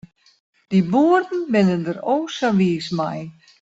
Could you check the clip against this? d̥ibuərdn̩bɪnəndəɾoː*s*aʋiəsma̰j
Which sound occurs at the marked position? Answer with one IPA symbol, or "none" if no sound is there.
s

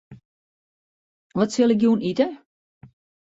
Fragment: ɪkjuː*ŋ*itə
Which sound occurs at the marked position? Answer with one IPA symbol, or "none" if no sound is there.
n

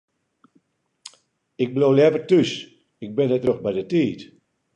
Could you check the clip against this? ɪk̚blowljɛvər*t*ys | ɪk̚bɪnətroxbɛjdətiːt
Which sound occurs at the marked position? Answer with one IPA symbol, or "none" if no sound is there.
t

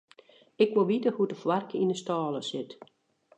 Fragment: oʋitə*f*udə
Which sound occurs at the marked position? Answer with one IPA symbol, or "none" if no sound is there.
h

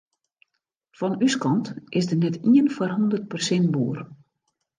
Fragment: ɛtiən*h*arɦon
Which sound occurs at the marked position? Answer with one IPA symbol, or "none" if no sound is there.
f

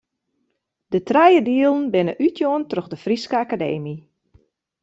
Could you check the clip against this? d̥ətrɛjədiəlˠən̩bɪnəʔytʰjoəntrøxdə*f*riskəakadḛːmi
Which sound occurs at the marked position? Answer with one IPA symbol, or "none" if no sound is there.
f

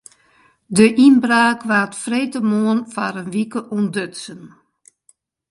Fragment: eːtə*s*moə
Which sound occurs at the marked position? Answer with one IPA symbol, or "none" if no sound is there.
none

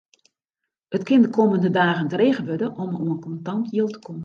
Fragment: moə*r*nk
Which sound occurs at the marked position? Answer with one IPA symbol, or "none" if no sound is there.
none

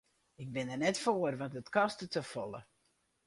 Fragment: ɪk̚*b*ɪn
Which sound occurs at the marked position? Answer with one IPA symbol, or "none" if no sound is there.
b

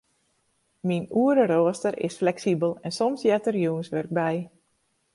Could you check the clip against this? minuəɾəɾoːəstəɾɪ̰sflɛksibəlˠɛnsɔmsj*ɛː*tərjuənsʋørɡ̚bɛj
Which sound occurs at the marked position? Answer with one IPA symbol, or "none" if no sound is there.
ɛ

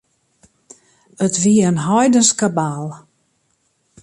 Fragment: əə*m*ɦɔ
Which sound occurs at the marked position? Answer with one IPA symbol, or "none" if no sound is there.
n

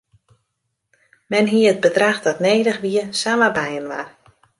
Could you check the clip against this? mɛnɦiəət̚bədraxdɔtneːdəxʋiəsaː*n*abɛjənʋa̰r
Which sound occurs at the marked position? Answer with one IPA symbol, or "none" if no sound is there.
m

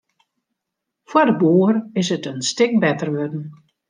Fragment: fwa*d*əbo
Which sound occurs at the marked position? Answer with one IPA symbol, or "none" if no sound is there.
d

